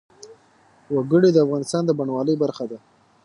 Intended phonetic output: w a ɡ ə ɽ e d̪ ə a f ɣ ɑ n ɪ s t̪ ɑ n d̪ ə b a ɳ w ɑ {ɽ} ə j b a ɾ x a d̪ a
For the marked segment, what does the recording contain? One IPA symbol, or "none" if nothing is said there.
l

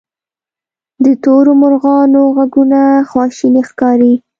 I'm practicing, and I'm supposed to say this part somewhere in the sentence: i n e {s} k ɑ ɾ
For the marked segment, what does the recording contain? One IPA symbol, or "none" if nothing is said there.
x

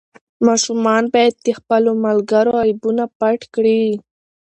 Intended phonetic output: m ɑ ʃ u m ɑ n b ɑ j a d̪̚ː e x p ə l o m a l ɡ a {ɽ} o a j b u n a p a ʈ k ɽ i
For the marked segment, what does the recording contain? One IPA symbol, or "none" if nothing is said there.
ɾ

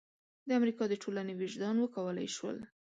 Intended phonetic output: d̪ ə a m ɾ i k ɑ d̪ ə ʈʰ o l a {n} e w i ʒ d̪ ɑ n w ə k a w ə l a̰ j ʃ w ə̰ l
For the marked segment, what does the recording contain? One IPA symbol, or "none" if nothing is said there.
n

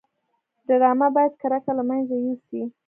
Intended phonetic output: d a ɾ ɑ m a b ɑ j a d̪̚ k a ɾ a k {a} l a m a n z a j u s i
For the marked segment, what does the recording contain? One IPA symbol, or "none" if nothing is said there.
a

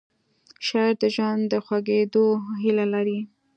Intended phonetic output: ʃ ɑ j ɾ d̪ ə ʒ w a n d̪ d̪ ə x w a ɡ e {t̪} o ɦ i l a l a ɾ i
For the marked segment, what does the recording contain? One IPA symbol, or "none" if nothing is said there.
d̪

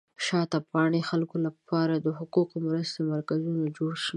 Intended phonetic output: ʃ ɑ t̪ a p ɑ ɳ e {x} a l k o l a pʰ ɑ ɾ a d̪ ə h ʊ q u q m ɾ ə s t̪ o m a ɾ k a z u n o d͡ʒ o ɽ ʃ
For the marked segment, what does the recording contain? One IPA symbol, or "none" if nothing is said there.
x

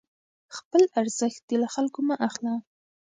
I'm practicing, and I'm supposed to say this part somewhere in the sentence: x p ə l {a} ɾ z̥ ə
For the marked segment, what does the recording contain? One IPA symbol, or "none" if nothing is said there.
a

